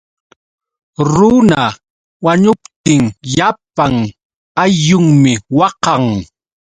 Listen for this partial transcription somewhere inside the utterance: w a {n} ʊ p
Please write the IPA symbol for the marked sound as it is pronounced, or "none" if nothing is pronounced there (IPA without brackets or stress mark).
ɲ